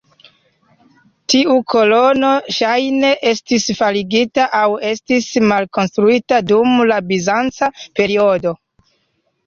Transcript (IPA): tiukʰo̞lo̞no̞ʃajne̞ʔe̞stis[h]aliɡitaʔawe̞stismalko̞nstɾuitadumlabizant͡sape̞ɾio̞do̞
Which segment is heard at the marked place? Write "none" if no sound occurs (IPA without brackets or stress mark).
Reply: f